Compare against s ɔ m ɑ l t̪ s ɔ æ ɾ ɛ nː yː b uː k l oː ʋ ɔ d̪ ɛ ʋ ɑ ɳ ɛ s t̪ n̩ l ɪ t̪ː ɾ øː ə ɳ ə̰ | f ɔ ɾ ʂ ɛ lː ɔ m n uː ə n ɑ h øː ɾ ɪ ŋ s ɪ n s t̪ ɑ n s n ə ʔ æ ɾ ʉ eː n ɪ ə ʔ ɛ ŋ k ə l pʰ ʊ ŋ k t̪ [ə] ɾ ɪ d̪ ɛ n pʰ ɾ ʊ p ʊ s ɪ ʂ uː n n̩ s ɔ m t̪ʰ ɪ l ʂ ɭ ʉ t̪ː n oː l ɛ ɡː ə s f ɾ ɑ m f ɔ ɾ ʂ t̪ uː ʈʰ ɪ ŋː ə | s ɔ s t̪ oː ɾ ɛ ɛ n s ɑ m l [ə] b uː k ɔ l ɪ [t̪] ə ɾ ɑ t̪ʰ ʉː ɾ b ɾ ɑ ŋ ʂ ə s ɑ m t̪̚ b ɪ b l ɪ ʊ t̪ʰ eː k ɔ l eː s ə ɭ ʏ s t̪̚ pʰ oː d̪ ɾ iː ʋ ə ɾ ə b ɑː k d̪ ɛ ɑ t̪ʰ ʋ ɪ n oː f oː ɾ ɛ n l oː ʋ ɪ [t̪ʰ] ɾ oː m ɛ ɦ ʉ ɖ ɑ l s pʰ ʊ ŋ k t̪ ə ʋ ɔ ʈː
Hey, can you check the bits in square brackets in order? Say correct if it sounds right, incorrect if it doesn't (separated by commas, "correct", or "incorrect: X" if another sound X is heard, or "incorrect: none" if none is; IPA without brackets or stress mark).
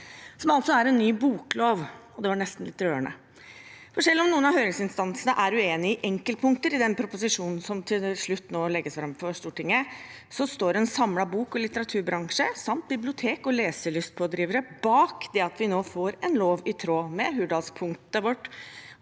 correct, incorrect: ɑ, correct, correct